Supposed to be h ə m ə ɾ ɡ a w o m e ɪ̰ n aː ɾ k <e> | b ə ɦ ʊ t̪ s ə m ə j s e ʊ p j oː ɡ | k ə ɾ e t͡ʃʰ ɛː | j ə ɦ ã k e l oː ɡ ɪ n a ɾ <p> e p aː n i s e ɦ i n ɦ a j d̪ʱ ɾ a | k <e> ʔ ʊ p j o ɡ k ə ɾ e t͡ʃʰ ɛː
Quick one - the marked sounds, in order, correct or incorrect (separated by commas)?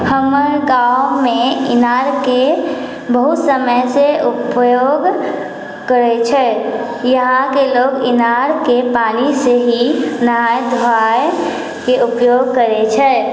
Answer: correct, incorrect, correct